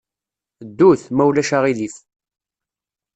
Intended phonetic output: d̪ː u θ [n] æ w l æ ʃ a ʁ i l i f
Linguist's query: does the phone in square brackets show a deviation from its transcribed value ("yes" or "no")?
yes